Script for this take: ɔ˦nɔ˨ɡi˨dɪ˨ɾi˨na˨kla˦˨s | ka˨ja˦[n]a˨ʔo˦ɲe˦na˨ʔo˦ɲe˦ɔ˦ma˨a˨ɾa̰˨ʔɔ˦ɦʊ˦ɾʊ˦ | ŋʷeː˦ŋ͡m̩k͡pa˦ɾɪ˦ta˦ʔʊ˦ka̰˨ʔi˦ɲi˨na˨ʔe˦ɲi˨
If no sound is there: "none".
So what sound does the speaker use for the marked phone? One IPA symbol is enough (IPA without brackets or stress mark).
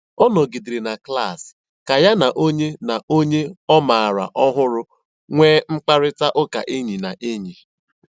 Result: n